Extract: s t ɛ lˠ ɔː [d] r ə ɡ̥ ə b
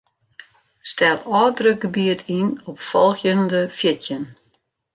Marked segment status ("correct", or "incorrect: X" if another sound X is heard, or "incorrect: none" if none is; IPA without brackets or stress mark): correct